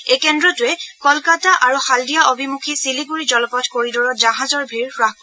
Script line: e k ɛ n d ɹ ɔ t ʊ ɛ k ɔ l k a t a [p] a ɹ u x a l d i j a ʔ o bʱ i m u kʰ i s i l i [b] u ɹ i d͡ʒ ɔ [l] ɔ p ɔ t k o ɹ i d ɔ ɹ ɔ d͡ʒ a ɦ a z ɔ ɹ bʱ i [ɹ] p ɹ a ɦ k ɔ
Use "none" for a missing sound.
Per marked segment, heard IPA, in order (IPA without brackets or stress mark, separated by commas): ʔ, ɡ, l, ɹ